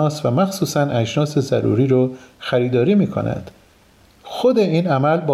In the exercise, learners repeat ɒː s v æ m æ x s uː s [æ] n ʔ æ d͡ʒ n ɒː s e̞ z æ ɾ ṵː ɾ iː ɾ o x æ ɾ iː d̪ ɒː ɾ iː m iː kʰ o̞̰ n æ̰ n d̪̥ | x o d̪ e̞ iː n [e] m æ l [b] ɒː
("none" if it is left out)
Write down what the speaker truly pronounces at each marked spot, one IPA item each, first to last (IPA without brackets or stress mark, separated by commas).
æ, æ, b